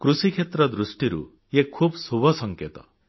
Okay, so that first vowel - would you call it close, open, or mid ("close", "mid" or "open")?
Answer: close